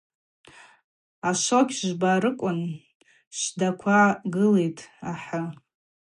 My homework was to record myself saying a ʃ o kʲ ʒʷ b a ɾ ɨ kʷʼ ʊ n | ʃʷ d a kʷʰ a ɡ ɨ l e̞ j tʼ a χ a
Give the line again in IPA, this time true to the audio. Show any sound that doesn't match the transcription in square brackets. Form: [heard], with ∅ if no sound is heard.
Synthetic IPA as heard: a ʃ o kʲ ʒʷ b a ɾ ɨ kʷʼ ʊ n | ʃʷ d a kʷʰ a ɡ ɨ l e̞ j tʼ a [ħ] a